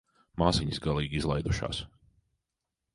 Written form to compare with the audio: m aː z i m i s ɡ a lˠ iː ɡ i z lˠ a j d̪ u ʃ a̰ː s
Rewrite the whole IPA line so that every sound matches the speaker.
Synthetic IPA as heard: m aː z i ɲ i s ɡ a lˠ iː ɡ i z lˠ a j d̪ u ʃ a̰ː s